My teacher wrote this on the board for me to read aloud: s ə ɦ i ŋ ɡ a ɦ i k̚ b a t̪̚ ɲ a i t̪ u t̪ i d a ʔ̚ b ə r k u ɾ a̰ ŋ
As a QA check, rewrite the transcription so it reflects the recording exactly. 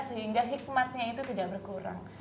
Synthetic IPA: s ə ɦ i ŋ ɡ a ɦ i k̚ m a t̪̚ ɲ a i t̪ u t̪ i d a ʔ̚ b ə r k u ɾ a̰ ŋ